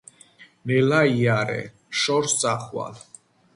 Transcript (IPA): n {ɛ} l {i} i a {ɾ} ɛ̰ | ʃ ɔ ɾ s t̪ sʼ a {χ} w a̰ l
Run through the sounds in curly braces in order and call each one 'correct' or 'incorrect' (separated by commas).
correct, incorrect, correct, correct